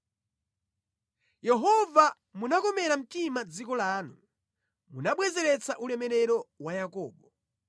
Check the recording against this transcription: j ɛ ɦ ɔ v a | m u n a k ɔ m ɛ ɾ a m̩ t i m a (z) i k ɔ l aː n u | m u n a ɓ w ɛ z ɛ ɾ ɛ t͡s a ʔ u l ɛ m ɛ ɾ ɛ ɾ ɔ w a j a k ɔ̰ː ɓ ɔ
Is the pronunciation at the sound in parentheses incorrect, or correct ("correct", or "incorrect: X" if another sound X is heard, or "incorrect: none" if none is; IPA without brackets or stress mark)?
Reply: incorrect: d͡z